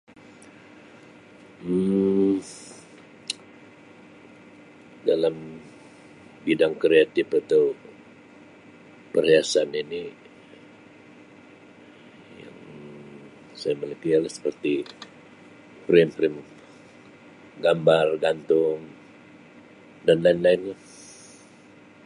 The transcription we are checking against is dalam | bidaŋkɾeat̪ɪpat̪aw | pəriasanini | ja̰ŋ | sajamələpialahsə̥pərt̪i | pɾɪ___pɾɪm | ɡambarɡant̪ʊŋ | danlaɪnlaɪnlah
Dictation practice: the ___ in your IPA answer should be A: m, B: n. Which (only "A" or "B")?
A